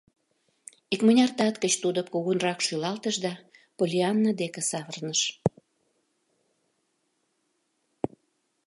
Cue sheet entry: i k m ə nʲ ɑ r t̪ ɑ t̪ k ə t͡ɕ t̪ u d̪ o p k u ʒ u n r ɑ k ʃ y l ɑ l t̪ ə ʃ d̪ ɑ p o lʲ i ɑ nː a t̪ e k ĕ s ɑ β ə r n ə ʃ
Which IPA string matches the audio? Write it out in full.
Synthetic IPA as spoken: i k m ə nʲ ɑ r t̪ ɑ t̪ k ə t͡ɕ t̪ u d̪ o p k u ɣ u n r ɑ k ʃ y l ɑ l t̪ ə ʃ d̪ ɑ p o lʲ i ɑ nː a d̪ e k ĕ s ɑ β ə r n ə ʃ